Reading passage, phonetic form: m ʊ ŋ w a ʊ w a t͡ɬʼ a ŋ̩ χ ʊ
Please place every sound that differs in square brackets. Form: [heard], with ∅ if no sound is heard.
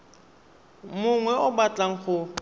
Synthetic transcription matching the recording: m ʊ ŋ w [ɛ] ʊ [b] a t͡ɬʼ a ŋ̩ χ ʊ